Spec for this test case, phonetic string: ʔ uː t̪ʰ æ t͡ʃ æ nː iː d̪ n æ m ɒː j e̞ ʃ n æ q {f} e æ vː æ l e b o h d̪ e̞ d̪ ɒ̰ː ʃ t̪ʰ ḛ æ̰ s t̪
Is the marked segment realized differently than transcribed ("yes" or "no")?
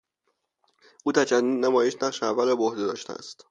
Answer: yes